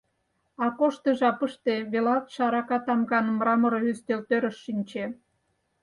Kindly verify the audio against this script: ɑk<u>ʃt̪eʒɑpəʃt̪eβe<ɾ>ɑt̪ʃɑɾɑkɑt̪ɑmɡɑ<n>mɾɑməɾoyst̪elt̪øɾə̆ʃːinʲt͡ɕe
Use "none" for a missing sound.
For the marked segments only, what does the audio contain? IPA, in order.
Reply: o, l, n

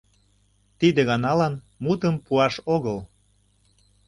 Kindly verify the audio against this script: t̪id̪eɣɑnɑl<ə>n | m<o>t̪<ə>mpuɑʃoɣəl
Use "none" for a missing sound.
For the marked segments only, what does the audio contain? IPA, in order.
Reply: ɑ, u, ə

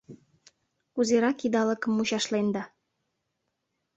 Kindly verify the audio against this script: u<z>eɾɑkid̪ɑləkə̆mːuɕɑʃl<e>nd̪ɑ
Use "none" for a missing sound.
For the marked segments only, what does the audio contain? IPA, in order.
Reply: z, e

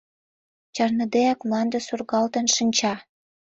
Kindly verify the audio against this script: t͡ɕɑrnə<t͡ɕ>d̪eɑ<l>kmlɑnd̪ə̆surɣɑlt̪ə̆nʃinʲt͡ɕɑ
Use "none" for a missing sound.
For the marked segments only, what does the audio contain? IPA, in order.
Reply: none, none

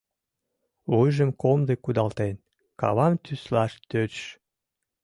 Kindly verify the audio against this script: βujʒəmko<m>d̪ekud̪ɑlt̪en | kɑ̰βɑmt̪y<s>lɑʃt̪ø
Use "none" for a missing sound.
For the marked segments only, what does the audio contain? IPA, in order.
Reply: m, s

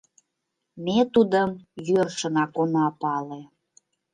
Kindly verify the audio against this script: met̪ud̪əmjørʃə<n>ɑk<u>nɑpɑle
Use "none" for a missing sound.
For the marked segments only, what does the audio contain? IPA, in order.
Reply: n, o

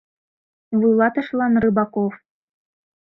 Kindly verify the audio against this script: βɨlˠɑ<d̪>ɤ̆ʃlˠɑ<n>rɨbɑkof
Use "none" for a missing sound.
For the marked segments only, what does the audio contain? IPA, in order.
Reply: t̪, n

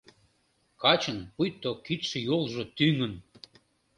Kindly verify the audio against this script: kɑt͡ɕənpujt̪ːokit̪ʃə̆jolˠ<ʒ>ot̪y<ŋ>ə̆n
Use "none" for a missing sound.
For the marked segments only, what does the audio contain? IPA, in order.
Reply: ʒ, ŋ

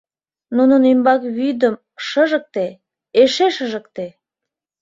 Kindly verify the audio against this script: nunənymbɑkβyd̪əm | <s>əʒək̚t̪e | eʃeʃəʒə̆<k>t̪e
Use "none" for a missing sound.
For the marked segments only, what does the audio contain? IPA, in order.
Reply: ʃ, k

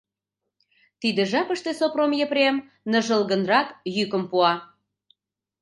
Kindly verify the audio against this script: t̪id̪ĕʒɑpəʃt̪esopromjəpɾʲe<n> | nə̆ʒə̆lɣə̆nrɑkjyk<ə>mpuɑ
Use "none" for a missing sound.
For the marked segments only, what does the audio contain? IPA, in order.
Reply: m, ə

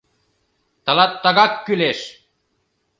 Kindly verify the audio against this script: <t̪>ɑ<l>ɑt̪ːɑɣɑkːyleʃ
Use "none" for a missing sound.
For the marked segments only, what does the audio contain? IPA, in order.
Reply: t̪, l

